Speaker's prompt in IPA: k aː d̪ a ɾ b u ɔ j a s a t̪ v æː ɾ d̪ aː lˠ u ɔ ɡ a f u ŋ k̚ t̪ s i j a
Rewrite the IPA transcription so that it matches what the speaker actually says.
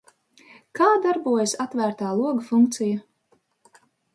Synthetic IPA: k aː d̪ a ɾ b u ɔ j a s a t̪ v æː ɾ t̪ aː lˠ u ɔ ɡ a f u ŋ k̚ t̪ s i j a